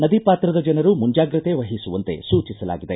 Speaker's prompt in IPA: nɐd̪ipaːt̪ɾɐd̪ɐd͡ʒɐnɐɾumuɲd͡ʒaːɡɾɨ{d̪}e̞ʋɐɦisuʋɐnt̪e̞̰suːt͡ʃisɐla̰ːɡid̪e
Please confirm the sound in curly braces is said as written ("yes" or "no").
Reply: no